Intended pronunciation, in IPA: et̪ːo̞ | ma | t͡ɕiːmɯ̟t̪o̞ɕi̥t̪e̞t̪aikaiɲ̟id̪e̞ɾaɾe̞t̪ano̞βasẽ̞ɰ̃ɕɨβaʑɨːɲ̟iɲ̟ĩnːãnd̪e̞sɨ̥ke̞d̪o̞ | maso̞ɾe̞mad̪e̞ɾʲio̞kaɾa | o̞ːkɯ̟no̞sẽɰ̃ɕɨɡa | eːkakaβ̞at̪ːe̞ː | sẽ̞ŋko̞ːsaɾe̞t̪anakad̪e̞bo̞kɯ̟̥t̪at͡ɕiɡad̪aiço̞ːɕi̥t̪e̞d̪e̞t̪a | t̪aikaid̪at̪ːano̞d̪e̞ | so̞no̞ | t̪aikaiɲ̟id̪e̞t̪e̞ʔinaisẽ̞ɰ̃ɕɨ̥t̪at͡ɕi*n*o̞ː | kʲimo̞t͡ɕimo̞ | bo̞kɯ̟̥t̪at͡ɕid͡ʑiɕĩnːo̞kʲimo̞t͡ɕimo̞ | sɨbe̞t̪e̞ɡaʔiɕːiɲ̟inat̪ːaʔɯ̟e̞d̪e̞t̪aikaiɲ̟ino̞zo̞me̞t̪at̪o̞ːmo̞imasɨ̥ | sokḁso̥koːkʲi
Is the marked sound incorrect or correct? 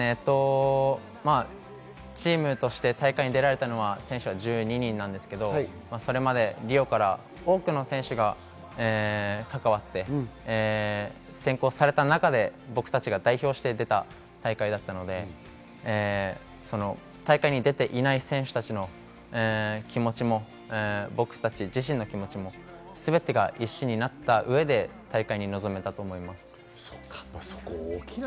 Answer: correct